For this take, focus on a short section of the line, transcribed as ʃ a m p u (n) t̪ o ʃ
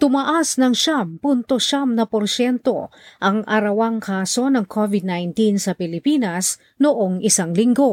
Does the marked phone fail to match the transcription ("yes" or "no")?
no